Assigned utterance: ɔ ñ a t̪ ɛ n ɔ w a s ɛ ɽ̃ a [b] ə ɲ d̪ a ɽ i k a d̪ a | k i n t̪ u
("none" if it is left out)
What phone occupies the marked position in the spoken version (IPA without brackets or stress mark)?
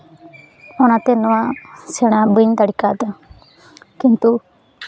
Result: b